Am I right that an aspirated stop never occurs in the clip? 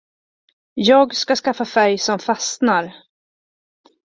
yes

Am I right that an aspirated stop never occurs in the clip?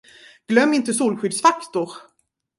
yes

